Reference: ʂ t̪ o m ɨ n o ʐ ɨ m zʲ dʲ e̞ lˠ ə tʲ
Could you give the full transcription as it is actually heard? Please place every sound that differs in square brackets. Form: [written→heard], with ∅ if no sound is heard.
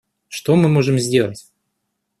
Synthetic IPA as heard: ʂ t̪ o m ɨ [n→m] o ʐ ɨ m zʲ dʲ e̞ lˠ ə tʲ